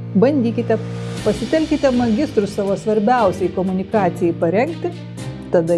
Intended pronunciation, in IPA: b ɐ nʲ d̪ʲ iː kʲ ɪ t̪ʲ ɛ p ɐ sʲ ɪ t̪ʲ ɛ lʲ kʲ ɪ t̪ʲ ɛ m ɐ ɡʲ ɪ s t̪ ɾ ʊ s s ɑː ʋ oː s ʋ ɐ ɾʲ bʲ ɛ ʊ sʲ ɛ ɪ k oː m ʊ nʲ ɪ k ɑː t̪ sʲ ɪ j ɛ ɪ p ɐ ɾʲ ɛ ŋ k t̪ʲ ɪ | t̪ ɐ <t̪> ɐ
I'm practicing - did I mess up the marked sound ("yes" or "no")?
yes